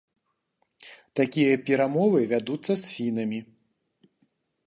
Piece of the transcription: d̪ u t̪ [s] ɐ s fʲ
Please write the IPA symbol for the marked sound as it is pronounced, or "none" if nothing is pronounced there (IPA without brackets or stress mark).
sː